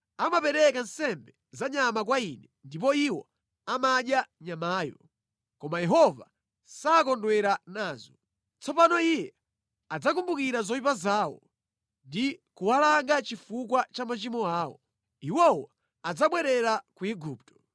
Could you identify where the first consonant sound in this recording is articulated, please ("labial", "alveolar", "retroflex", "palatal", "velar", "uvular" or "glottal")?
labial